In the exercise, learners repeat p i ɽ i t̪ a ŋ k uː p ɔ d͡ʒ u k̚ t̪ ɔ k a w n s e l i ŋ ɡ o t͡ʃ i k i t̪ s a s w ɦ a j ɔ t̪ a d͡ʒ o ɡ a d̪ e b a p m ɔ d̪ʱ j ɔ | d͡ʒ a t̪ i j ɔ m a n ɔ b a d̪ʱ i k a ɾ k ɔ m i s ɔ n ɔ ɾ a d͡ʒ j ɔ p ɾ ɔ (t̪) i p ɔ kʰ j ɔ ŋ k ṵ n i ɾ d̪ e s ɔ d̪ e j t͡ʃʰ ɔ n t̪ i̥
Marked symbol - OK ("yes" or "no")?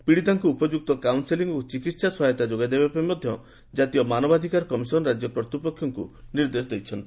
yes